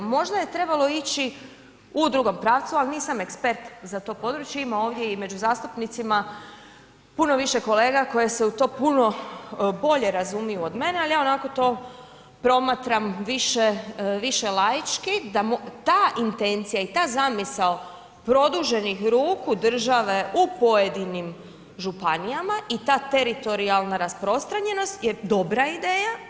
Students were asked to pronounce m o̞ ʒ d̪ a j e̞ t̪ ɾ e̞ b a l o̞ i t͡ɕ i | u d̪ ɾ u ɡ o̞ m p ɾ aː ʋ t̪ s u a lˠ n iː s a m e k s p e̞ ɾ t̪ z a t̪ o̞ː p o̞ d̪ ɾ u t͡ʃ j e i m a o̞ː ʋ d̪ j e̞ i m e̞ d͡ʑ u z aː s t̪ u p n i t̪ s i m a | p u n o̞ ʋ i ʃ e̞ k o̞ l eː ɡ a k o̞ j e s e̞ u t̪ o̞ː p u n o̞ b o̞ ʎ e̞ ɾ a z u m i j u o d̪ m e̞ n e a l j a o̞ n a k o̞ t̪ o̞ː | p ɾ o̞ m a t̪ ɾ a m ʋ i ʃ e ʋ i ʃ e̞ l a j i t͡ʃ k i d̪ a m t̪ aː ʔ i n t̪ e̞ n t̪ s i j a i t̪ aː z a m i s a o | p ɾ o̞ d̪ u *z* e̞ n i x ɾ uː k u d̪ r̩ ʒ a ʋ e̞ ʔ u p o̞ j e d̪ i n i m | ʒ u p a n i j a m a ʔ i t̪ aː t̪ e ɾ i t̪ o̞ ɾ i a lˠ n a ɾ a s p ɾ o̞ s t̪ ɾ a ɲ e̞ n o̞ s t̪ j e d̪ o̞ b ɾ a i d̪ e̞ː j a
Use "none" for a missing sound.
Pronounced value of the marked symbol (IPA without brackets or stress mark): ʒ